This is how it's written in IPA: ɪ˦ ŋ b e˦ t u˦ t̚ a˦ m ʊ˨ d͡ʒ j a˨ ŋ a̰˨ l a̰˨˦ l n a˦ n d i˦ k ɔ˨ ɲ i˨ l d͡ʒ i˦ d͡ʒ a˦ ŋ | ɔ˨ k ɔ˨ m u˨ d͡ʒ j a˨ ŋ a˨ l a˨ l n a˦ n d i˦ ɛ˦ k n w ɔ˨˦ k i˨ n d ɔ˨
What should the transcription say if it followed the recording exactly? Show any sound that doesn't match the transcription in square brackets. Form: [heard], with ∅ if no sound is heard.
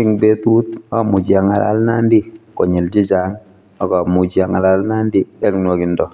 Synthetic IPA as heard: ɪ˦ ŋ b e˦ t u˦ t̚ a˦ m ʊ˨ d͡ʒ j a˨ ŋ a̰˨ l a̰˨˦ l n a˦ n d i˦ k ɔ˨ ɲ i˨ l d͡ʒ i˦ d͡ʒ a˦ ŋ | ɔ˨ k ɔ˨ m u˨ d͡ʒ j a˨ ŋ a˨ l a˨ l n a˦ n d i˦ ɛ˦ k n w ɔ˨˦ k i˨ n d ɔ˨

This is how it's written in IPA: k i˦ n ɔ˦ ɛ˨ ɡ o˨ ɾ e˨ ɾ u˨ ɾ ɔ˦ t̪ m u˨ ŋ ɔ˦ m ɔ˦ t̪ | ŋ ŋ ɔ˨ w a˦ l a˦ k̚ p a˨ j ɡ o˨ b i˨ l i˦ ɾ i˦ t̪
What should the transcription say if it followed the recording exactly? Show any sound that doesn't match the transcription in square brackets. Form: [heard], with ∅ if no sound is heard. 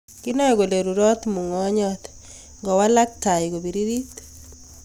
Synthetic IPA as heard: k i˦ n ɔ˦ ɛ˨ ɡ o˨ [l] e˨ ɾ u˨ ɾ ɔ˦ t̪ m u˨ ŋ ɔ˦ [ɲ] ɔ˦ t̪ | ŋ [ɡ] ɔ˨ w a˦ l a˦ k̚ [t] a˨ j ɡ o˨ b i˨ [ɾ] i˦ ɾ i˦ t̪

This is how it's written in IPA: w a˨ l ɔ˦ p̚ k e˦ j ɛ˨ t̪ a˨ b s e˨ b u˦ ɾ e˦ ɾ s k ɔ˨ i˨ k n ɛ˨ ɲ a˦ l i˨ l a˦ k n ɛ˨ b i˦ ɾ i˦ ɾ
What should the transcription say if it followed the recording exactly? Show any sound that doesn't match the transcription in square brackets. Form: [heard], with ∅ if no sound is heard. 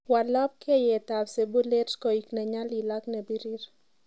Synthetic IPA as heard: w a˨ l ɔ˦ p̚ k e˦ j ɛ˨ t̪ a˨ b s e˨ b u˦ [l] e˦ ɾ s k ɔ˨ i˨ k n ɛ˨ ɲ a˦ l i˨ l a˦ k n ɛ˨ b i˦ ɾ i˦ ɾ

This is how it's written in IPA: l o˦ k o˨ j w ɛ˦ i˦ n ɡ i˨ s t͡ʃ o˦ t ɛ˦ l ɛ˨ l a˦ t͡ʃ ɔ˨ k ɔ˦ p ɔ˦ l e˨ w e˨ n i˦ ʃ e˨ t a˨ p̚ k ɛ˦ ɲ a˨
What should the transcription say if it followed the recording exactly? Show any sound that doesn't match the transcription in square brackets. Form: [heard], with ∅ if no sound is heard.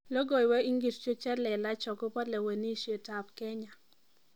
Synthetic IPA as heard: l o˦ [ɡ] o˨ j w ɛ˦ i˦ [ŋ] ɡ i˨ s t͡ʃ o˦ [t͡ʃ] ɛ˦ l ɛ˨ l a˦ t͡ʃ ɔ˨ k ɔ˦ p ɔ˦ l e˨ w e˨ n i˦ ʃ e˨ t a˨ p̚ k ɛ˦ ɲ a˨

